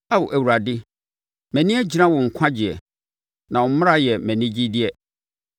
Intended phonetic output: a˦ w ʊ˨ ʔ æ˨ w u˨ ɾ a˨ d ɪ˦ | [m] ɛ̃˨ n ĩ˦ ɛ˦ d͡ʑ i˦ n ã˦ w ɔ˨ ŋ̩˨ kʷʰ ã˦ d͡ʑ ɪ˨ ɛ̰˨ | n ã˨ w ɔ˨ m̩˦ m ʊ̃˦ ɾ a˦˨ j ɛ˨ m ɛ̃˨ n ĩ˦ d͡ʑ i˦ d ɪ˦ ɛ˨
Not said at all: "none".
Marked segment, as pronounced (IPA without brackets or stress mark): m